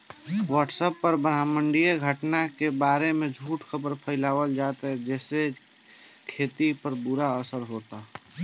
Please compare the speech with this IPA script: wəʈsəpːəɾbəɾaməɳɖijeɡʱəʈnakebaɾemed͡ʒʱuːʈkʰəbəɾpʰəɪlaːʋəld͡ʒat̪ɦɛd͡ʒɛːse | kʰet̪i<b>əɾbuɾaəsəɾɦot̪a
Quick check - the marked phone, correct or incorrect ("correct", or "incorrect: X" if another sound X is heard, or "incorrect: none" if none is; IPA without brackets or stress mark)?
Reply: incorrect: p